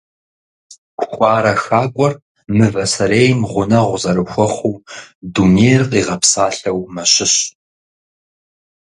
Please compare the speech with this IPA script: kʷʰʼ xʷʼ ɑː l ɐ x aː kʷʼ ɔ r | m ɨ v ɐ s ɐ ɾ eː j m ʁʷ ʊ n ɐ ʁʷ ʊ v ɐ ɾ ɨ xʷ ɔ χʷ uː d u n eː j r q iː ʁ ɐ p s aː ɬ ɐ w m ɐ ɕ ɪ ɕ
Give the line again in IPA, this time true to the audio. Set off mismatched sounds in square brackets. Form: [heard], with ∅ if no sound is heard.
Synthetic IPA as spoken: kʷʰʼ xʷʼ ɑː [ɾ] ɐ x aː kʷʼ ɔ r | m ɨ v ɐ s ɐ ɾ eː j m ʁʷ ʊ n ɐ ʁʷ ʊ [z] ɐ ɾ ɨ xʷ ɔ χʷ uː d u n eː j r q iː ʁ ɐ p s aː ɬ ɐ w m ɐ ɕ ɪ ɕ